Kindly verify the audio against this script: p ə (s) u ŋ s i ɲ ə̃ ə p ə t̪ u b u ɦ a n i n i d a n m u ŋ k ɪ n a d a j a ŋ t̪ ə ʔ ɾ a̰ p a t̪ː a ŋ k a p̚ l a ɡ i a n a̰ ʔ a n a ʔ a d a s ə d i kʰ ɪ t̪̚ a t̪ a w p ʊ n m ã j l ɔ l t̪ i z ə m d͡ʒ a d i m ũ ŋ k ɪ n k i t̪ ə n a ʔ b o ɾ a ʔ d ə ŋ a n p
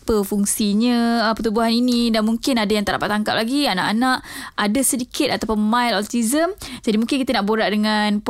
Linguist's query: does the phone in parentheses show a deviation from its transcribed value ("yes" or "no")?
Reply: yes